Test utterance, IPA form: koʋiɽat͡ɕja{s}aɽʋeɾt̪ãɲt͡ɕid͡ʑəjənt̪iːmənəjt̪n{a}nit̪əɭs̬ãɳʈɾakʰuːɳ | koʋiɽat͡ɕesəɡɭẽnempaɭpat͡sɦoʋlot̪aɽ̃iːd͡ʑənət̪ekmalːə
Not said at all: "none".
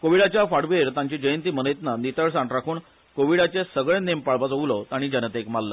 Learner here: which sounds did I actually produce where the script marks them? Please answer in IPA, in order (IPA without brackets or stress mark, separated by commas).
f, a